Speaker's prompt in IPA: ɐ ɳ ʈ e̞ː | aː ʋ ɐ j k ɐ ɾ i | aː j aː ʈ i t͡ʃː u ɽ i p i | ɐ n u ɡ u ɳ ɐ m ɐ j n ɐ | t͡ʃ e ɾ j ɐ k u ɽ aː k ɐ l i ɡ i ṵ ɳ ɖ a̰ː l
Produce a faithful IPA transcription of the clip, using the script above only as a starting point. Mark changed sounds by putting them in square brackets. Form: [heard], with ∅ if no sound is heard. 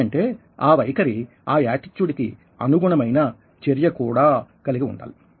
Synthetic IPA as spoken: ɐ ɳ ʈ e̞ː | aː ʋ ɐ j k ɐ ɾ i | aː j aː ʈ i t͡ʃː u ɽ i [k] i | ɐ n u ɡ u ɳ ɐ m ɐ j n ɐ | t͡ʃ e ɾ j ɐ k [uː] ɽ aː k ɐ l i ɡ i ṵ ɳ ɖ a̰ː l